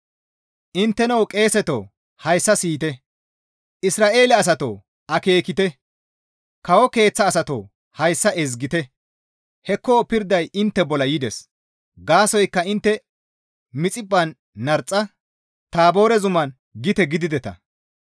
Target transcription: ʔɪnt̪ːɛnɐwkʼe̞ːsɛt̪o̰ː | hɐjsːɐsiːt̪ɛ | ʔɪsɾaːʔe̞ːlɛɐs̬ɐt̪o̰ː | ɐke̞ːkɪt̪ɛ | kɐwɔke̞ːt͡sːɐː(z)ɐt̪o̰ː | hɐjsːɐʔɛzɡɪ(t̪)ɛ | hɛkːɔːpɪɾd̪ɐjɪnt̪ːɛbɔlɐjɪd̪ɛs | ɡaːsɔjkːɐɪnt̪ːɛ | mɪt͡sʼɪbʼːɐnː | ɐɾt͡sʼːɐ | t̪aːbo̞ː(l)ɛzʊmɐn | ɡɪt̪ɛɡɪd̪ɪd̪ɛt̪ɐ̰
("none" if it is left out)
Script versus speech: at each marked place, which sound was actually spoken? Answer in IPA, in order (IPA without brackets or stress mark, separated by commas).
s, t̪, ɾ